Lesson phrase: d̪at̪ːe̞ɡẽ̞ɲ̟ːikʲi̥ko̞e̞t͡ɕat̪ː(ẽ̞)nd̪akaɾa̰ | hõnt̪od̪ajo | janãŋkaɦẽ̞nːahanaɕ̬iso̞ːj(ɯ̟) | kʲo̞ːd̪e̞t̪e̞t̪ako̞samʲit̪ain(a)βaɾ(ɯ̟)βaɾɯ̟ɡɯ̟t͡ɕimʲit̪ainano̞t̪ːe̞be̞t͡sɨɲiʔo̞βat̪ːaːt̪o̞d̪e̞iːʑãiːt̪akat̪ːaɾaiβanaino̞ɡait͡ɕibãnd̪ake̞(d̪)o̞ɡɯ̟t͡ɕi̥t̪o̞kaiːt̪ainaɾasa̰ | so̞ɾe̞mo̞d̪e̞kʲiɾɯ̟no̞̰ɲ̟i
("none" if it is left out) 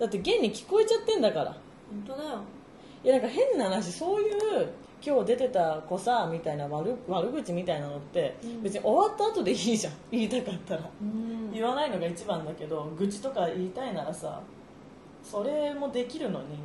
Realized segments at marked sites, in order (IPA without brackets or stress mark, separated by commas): ẽ̞, ɯ̟ː, a, ɯ̟, d̪